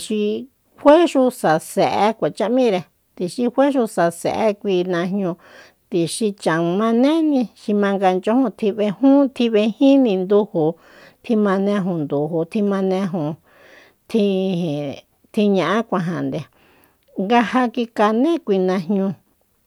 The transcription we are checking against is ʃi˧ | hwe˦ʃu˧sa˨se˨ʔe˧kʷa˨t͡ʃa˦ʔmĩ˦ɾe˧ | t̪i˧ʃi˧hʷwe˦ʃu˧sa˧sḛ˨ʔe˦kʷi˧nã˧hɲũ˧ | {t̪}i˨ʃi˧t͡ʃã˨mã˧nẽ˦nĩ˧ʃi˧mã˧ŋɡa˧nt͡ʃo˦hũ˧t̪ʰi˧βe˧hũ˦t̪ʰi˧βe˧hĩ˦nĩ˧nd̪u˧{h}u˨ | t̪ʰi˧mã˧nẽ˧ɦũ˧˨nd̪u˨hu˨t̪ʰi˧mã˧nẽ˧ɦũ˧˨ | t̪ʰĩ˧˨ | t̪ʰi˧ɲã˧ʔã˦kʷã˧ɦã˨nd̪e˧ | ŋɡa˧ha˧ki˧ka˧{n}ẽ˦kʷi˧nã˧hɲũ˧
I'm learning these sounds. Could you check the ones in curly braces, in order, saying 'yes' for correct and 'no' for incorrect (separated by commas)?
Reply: yes, yes, yes